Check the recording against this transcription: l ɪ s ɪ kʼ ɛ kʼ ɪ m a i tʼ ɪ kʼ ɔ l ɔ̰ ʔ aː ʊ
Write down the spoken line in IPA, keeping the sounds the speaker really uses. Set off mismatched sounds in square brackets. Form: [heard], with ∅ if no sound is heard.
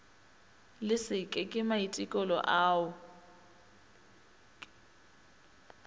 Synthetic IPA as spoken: l ɪ s ɪ kʼ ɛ kʼ ɪ m a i tʼ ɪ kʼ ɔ l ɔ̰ ʔ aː ʊ

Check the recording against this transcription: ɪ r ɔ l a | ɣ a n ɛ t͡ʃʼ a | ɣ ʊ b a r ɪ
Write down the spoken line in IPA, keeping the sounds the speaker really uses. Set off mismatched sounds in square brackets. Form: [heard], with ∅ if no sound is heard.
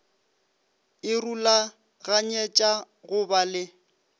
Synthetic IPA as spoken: ɪ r [u] l a | ɣ a [ɲ] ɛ t͡ʃʼ a | ɣ ʊ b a [l] ɪ

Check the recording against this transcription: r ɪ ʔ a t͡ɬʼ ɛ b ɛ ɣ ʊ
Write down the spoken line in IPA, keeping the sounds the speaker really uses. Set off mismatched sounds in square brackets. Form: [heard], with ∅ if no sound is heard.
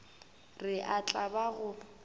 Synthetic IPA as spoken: r ɪ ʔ a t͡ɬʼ [a] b [a] ɣ ʊ

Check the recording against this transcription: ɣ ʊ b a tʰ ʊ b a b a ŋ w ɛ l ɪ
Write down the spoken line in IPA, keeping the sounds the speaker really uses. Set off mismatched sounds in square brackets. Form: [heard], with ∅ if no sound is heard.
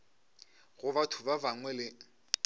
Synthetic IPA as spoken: ɣ ʊ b a tʰ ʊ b a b a ŋ w ɛ l ɪ

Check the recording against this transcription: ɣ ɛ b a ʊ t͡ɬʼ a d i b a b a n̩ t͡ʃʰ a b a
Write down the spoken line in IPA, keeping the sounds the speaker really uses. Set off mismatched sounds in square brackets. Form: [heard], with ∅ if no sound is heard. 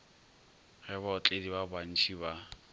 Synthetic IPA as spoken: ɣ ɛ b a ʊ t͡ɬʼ [e] d i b a b a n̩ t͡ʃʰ [i] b a

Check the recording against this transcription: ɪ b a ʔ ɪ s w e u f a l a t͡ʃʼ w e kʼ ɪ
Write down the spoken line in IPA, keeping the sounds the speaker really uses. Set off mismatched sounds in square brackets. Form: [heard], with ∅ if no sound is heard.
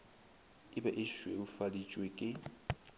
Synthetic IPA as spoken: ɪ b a ʔ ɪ [ʃ] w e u f a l [i] t͡ʃʼ w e kʼ ɪ

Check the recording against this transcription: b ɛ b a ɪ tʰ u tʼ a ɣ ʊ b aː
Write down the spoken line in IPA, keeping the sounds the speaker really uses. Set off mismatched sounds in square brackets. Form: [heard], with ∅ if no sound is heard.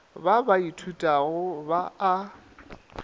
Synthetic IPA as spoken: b [a] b a [i] tʰ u tʼ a ɣ ʊ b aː

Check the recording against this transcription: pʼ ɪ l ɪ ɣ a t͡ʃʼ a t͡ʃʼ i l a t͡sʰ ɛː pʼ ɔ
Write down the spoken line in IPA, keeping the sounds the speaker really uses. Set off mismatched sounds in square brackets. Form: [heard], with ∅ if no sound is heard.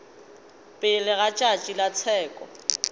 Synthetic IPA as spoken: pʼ ɪ l ɪ ɣ a t͡ʃʼ a t͡ʃʼ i l a t͡sʰ ɛː [kʼ] ɔ

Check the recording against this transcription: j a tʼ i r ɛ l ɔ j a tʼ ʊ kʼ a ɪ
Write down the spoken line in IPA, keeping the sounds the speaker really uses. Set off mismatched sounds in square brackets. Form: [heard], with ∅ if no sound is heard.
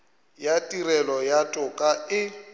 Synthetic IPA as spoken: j a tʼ i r ɛ l ɔ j a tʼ ʊ kʼ a ɪ

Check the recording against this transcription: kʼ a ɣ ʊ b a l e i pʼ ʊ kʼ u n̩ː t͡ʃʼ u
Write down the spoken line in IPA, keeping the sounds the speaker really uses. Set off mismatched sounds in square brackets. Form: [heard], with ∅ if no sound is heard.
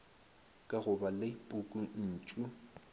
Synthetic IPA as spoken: kʼ a ɣ ʊ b a l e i pʼ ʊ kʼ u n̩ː t͡ʃʼ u

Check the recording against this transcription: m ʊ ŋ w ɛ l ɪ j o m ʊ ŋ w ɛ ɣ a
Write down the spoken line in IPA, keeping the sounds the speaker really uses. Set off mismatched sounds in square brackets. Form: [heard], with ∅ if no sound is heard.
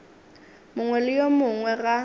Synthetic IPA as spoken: m ʊ ŋ w ɛ l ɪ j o m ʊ ŋ w ɛ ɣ a

